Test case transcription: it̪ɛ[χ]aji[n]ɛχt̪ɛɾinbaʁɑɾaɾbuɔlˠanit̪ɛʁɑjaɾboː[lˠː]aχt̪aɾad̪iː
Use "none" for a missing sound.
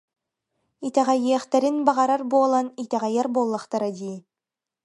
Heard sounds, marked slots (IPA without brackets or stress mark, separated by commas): ʁ, none, lˠː